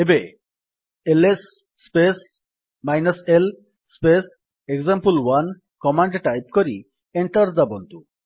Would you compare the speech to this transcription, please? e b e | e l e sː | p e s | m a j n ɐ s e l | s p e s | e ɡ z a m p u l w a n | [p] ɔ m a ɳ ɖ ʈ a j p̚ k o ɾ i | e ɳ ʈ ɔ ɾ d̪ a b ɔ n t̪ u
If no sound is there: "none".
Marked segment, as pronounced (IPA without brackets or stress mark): k